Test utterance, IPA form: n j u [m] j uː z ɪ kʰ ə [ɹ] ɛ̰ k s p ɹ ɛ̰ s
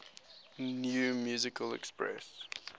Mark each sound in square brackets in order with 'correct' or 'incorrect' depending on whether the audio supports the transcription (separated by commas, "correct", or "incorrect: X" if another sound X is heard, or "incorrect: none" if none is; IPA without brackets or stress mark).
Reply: correct, incorrect: l